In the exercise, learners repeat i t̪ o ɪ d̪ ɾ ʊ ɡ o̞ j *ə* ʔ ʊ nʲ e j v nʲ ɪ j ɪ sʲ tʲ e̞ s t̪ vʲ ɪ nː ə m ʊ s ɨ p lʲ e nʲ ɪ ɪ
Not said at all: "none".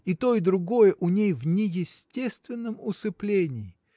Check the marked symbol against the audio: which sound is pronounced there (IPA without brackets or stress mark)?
ə